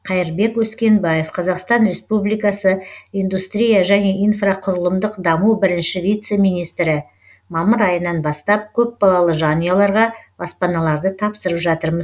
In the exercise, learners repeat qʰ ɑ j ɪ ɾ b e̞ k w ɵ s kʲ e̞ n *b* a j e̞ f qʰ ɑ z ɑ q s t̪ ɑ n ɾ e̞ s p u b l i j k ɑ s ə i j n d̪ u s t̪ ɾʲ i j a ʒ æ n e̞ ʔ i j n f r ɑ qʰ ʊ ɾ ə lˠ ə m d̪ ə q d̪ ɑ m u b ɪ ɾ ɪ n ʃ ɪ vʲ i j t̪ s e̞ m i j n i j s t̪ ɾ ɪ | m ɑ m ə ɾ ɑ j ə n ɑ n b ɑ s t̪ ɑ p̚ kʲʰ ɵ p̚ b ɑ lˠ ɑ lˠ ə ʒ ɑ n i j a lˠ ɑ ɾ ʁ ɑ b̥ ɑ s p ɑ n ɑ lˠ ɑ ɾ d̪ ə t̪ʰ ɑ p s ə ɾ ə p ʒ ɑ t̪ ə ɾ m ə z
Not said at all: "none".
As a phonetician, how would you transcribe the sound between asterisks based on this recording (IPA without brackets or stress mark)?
b